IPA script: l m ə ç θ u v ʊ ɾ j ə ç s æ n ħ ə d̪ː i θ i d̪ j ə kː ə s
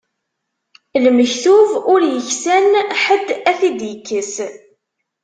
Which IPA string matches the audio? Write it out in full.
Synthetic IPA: l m ə ç θ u v ʊ ɾ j ə ç s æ n ħ ə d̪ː æ θ i d̪ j ə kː ə s

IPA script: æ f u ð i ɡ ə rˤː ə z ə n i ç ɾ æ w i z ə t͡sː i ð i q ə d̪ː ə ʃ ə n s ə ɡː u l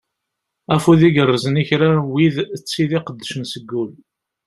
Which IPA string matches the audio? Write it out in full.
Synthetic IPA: æ f u ð i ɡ ə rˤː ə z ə n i ç ɾ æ w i ð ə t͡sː i ð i q ə d̪ː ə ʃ ə n s ə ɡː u l

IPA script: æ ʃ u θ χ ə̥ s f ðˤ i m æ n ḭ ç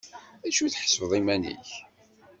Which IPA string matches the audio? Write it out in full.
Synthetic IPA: æ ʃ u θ ħ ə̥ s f ðˤ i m æ n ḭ ç

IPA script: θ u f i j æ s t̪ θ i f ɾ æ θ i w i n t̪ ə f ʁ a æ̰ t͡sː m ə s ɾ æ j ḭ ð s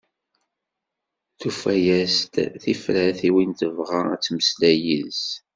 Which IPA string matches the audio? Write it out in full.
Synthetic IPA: θ u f æ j æ s t̪ θ i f ɾ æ θ i w i n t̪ ə v ʁ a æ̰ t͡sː m ə s l æ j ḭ ð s

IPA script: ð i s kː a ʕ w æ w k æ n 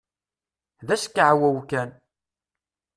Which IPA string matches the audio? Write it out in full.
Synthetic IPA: ð æ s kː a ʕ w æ w k æ n

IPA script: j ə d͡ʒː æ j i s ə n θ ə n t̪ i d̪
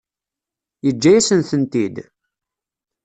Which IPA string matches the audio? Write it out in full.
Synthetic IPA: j ə d͡ʒː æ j æ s ə n θ ə n t̪ i d̪

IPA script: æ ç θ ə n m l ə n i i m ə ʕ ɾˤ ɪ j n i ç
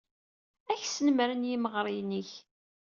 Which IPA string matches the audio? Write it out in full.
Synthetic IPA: æ ç s ə n m ɾ ə n j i m ə ʁ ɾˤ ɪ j n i ç

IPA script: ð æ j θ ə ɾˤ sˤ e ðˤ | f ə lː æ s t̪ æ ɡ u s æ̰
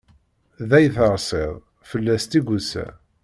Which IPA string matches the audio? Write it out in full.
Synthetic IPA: ð æ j θ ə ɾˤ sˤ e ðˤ | f ə lː æ s t̪ i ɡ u s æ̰

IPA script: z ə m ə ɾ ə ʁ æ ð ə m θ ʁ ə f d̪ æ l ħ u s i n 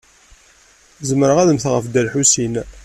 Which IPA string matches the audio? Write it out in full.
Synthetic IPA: z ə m ə ɾ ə ʁ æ ð ə m θ ʁ ə f d̪ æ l ħ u s i n

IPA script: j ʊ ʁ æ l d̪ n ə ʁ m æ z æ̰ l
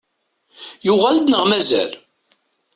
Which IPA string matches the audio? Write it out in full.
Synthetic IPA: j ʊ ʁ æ l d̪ n ə ʁ m æ z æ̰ l

